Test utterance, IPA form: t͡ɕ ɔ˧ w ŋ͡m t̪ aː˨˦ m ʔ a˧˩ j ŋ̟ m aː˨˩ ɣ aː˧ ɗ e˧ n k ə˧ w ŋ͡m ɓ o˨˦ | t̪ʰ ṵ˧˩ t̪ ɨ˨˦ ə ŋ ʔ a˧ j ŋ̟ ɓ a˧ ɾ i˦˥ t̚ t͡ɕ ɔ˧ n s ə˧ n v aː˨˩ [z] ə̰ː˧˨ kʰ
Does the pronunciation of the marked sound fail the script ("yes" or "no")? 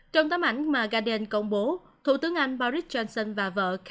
yes